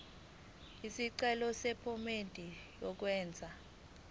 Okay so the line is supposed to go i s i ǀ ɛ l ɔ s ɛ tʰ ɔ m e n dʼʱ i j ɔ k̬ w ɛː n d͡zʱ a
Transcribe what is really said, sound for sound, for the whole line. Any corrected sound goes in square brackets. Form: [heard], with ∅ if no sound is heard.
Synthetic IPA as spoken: i s i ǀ ɛ l ɔ s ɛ [pʰ] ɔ m e n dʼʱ i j ɔ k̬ w ɛː n d͡zʱ a